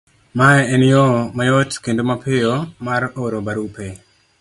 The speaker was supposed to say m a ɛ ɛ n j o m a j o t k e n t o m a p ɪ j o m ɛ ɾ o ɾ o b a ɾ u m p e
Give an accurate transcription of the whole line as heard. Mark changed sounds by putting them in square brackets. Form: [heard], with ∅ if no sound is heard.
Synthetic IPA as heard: m a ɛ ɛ n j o m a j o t k e n [d] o m a p ɪ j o m [a] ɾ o ɾ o b a ɾ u [∅] p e